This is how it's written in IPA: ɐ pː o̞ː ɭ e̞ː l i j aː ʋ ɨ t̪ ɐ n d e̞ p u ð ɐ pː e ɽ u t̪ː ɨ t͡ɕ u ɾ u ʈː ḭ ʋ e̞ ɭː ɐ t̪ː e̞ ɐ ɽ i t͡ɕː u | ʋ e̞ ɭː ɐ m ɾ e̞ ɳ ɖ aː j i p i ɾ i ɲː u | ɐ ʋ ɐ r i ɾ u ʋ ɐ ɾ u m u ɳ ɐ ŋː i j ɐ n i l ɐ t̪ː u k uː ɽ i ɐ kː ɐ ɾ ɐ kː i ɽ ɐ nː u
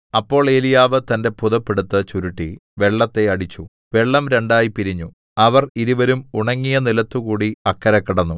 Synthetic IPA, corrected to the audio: ɐ pː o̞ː ɭ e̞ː l i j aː ʋ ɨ t̪ ɐ n d e̞ p u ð ɐ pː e ɽ u t̪ː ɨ t͡ɕ u ɾ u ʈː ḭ ʋ e̞ ɭː ɐ t̪ː e̞ ɐ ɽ i t͡ɕː u | ʋ e̞ ɭː ɐ m ɾ e̞ ɳ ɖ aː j i p i ɾ i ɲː u | ɐ ʋ ɐ r i ɾ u ʋ ɐ ɾ u m u ɳ ɐ ŋː i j ɐ n i l ɐ t̪ː u k uː ɽ i ɐ kː ɐ ɾ ɐ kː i ɽ ɐ nː u

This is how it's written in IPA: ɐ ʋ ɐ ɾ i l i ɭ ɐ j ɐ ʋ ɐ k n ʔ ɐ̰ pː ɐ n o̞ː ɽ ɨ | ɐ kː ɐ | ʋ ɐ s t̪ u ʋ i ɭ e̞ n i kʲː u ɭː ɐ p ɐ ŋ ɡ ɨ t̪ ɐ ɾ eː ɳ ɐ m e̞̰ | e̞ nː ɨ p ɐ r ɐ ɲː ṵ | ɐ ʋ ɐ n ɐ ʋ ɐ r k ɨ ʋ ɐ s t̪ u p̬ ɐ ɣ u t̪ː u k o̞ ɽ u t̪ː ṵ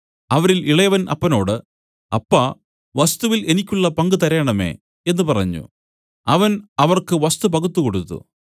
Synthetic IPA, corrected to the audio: ɐ ʋ ɐ ɾ i l i ɭ ɐ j ɐ ʋ ɐ n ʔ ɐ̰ pː ɐ n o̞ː ɽ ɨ | ɐ pː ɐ | ʋ ɐ s t̪ u ʋ i l e̞ n i kʲː u ɭː ɐ p ɐ ŋ ɡ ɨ t̪ ɐ ɾ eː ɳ ɐ m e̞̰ | e̞ nː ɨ p ɐ r ɐ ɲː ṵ | ɐ ʋ ɐ n ɐ ʋ ɐ r k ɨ ʋ ɐ s t̪ u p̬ ɐ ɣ u t̪ː u k o̞ ɽ u t̪ː ṵ

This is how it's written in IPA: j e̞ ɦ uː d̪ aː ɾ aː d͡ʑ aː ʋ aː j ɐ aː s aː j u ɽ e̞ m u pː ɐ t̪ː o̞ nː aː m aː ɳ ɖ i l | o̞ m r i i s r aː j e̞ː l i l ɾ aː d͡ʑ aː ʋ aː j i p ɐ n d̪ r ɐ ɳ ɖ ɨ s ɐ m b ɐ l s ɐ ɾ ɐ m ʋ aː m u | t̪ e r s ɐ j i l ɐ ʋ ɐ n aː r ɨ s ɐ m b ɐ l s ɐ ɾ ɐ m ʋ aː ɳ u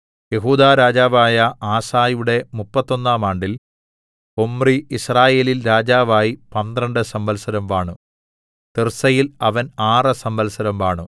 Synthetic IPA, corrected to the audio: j e̞ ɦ uː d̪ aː ɾ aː d͡ʑ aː ʋ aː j ɐ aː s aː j u ɽ e̞ m u pː ɐ t̪ː o̞ nː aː m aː ɳ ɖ i l | o̞ m r i i s r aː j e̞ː l i l ɾ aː d͡ʑ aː ʋ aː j i p ɐ n d̪ r ɐ ɳ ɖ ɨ s ɐ m b ɐ l s ɐ ɾ ɐ m ʋ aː ɳ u | t̪ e r s ɐ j i l ɐ ʋ ɐ n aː r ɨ s ɐ m b ɐ l s ɐ ɾ ɐ m ʋ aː ɳ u

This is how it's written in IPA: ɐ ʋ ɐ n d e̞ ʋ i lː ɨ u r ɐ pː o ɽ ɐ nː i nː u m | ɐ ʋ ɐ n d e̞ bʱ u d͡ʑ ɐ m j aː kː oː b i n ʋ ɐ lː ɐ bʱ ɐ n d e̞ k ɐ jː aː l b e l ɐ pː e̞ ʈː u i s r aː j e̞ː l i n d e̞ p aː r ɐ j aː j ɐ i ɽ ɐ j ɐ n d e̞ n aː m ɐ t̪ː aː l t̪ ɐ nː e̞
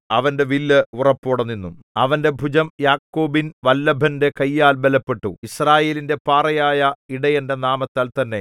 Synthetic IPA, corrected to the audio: ɐ ʋ ɐ n d e̞ ʋ i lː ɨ u r ɐ pː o ɽ ɐ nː i nː u m | ɐ ʋ ɐ n d e̞ bʱ u d͡ʑ ɐ m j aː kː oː b i n ʋ ɐ lː ɐ bʱ ɐ n d e̞ k ɐ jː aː l b e l ɐ pː e̞ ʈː u i s r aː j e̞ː l i n d e̞ p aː r ɐ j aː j ɐ i ɽ ɐ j ɐ n d e̞ n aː m ɐ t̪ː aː l t̪ ɐ nː e̞

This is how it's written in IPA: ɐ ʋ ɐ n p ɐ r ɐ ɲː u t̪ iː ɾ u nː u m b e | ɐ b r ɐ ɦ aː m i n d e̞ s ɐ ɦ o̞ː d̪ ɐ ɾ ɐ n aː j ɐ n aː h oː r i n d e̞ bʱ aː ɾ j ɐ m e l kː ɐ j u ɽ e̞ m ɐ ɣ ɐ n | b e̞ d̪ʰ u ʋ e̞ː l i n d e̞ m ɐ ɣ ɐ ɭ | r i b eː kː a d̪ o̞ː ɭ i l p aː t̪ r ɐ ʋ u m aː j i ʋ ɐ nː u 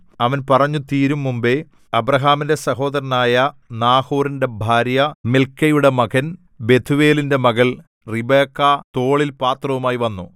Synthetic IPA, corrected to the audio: ɐ ʋ ɐ n p ɐ r ɐ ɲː u t̪ iː ɾ u mː u m b e | ɐ b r ɐ ɦ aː m i n d e̞ s ɐ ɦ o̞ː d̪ ɐ ɾ ɐ n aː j ɐ n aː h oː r i n d e̞ bʱ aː ɾ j ɐ m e l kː ɐ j u ɽ e̞ m ɐ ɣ ɐ n | b e̞ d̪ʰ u ʋ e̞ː l i n d e̞ m ɐ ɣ ɐ ɭ | r i b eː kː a t̪ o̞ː ɭ i l p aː t̪ r ɐ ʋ u m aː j i ʋ ɐ nː u

